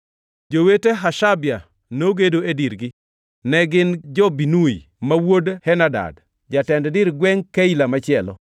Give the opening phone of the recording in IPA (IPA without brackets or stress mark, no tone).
d͡ʒ